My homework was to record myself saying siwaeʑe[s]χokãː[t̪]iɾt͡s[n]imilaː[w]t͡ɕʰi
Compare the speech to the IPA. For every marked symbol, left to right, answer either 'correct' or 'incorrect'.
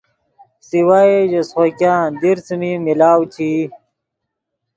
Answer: correct, incorrect, incorrect, correct

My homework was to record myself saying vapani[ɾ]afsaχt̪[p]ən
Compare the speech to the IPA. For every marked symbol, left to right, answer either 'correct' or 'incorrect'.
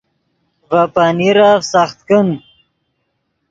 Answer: correct, incorrect

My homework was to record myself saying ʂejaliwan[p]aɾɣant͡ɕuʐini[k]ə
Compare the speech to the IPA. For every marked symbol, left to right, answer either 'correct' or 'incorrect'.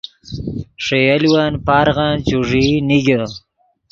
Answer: correct, incorrect

